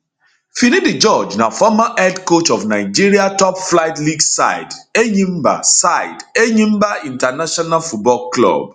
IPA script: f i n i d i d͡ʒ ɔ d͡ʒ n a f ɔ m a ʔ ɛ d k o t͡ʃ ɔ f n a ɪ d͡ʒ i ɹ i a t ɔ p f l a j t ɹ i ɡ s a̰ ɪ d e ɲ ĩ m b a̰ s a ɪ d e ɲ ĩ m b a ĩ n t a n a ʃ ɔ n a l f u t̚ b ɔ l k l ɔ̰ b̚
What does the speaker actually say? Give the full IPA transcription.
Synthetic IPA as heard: f i n i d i d͡ʒ ɔ d͡ʒ n a f ɔ m a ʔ ɛ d k o t͡ʃ ɔ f n a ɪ d͡ʒ i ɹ i a t ɔ p f l a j t l i ɡ s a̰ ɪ d e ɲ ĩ m b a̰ s a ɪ d e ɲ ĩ m b a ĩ n t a n a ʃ ɔ n a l f u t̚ b ɔ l k l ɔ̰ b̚